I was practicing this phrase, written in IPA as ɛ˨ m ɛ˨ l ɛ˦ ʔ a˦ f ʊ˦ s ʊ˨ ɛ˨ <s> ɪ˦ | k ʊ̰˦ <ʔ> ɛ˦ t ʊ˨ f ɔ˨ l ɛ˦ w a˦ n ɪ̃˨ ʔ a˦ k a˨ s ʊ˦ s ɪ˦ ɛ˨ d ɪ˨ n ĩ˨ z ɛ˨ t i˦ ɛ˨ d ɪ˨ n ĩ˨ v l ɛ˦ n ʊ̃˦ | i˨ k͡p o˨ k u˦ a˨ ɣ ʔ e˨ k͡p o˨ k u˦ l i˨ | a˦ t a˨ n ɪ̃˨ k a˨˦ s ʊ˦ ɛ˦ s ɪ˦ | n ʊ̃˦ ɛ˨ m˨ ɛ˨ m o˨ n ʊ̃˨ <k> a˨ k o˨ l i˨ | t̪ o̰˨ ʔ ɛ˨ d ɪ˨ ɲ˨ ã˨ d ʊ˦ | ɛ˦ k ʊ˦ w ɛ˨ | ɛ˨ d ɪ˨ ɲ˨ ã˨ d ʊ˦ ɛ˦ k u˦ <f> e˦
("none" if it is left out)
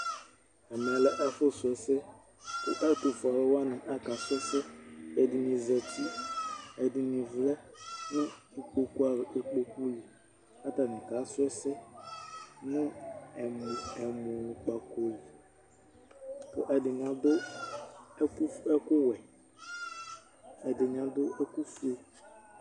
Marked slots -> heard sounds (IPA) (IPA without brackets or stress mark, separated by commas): s, ʔ, k͡p, f